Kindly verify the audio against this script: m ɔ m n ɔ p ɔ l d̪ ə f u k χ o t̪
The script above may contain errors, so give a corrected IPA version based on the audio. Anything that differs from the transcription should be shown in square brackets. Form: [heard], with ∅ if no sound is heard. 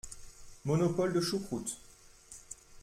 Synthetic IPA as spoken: m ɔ [∅] n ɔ p ɔ l d̪ ə [ʃ] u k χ [u] t̪